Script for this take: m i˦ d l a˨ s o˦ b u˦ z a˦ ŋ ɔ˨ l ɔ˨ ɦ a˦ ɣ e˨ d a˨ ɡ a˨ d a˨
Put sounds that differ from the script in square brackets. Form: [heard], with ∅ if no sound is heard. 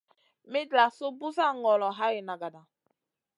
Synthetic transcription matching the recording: m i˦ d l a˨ s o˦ b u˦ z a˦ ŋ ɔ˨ l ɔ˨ ɦ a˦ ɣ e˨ [n] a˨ ɡ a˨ d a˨